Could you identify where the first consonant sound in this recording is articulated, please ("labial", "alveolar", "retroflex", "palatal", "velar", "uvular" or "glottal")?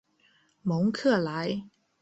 labial